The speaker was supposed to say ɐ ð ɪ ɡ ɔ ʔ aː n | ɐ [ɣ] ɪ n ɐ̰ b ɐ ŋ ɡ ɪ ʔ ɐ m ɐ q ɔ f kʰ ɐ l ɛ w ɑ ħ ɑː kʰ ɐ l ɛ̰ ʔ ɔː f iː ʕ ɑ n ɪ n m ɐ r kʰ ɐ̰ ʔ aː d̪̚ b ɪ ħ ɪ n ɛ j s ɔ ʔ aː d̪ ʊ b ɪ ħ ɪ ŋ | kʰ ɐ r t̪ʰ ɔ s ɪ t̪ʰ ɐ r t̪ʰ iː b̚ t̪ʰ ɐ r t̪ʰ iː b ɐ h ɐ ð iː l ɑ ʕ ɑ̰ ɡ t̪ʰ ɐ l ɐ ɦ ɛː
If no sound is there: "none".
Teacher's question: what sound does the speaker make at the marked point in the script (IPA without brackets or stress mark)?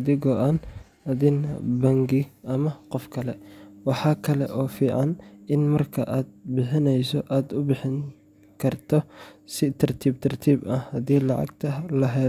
ð